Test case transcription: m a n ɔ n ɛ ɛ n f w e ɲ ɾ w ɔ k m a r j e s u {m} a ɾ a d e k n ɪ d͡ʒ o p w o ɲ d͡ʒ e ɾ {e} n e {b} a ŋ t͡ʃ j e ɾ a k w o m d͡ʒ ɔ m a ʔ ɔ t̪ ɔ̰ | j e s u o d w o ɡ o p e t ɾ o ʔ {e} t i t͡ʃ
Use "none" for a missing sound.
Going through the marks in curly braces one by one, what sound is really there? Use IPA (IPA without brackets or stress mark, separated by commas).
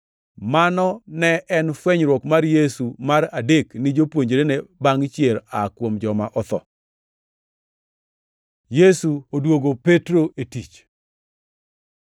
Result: m, e, b, e